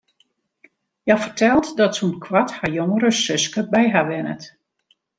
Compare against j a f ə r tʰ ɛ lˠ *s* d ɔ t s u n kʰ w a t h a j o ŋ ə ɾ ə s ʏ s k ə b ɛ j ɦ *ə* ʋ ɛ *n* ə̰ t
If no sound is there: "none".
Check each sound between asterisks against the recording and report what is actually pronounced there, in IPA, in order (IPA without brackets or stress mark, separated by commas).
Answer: t, a, n